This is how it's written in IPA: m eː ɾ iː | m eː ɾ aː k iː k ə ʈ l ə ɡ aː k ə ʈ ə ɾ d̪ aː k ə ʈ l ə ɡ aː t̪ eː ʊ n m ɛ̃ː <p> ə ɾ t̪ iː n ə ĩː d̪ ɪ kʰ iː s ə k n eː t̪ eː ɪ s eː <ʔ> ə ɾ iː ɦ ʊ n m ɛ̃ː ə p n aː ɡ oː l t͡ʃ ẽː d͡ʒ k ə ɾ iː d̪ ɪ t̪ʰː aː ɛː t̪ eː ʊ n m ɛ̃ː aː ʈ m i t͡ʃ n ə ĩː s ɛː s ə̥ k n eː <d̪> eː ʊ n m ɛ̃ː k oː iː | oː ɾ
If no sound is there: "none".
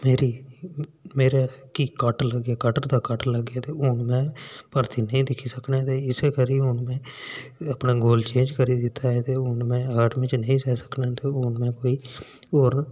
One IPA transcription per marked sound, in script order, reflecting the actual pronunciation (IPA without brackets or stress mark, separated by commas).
p, k, t̪